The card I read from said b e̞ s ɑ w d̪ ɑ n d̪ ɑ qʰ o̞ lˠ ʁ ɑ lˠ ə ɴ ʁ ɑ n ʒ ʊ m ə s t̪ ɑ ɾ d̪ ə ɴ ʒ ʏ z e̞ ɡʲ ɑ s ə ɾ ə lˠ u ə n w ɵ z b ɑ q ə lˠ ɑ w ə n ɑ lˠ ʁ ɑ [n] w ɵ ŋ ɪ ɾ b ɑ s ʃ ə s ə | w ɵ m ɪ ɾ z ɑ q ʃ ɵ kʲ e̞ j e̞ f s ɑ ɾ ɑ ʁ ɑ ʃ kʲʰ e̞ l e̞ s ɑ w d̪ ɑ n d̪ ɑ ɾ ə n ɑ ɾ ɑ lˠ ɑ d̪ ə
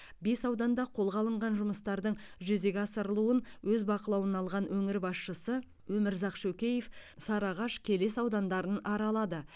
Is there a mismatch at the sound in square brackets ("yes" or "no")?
no